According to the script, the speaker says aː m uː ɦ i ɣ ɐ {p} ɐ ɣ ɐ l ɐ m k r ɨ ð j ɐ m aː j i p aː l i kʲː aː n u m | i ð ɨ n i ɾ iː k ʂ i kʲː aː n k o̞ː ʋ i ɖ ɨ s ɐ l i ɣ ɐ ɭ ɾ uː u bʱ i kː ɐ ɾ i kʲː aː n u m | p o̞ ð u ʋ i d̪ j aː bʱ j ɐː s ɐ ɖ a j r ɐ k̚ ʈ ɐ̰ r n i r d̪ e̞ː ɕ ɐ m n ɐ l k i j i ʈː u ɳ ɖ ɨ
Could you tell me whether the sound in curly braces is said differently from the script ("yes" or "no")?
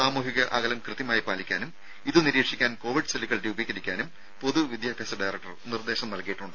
yes